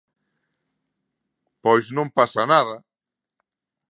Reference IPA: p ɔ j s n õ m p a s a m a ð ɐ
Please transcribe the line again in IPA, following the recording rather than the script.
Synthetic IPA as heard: p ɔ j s n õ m p a s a n a ð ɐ